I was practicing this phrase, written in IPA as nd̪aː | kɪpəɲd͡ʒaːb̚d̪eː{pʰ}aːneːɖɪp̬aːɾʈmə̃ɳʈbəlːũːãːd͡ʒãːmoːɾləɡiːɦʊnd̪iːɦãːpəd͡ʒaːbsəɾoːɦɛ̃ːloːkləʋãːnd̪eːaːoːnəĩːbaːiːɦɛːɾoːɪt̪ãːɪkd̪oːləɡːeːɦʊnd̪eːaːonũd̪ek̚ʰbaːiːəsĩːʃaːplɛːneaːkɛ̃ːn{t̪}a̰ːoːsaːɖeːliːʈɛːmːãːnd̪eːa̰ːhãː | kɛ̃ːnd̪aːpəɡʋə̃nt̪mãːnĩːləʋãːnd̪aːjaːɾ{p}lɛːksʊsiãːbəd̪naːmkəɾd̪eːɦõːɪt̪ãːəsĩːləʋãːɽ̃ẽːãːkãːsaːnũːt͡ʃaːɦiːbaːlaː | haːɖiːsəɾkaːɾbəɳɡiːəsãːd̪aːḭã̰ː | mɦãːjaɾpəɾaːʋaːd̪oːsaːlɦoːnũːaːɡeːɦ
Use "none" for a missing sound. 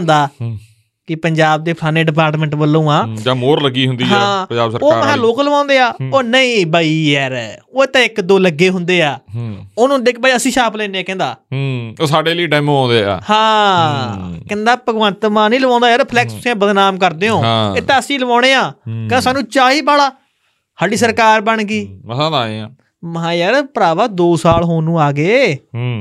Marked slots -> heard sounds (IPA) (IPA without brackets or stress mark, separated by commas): pʰ, d̪, pʰ